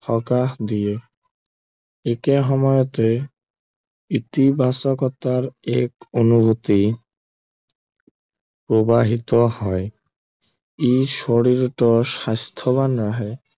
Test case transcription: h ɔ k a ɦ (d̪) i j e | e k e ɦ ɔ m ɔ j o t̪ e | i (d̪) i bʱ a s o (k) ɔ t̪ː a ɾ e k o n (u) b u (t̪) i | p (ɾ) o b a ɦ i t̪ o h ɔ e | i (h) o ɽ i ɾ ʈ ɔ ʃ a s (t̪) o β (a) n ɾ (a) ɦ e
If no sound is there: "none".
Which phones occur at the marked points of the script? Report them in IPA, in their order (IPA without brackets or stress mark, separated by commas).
d̪, t̪, k, u, t̪, ɾ, ʃ, t̪ʰ, a, a